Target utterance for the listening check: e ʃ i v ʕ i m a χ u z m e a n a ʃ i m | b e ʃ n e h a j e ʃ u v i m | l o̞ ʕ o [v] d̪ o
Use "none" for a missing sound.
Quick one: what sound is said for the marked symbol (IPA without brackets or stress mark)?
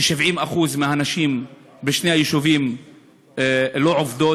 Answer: v